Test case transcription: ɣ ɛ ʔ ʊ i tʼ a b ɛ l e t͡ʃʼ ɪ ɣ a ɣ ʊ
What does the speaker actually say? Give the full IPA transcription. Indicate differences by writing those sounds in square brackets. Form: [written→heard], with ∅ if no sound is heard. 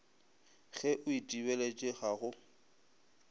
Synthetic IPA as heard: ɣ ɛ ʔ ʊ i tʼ [a→i] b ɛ l e t͡ʃʼ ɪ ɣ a ɣ ʊ